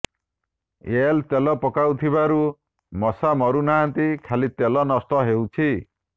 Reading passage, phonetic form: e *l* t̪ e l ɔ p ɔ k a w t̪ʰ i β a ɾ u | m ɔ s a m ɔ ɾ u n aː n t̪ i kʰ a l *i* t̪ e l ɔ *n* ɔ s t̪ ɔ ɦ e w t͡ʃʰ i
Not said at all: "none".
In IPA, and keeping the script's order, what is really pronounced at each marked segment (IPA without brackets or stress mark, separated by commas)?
l, i, n